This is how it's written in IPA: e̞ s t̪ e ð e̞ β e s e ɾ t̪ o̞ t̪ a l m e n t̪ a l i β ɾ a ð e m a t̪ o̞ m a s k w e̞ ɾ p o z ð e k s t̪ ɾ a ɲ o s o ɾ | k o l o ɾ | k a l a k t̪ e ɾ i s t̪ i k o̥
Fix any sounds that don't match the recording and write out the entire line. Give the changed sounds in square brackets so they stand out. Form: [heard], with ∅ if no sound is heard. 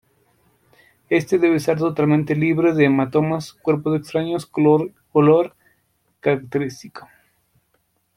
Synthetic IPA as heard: e̞ s t̪ e ð e̞ β e s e ɾ t̪ o̞ t̪ a l m e n t̪ [e] l i β ɾ [e] ð e m a t̪ o̞ m a s k w e̞ ɾ p o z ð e k s t̪ ɾ a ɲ o s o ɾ | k o l o ɾ | k a [ɾ] a k t̪ e ɾ i s t̪ i k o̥